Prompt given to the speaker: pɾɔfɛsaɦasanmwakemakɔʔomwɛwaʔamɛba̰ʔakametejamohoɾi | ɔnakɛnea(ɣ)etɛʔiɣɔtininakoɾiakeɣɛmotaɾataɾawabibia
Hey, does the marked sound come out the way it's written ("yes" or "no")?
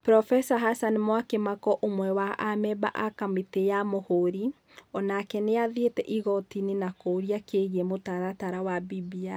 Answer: no